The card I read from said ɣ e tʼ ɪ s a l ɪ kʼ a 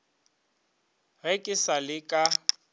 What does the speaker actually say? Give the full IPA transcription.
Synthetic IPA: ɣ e kʼ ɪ s a l ɪ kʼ a